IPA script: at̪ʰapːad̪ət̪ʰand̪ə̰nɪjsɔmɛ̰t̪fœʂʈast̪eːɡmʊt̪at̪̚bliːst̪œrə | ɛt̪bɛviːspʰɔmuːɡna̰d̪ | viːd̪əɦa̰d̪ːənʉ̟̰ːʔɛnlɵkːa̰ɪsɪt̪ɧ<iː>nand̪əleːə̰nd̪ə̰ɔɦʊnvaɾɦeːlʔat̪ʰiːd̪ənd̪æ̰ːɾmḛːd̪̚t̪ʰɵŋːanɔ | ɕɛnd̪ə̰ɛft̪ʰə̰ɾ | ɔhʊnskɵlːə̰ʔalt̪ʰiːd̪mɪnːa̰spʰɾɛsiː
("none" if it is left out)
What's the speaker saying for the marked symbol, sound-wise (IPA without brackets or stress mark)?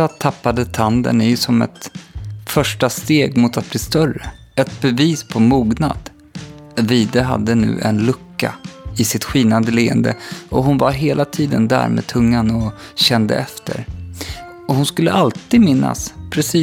iː